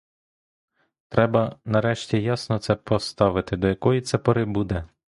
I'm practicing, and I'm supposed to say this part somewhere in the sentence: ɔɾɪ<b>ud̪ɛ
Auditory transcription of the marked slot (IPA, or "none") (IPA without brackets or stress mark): b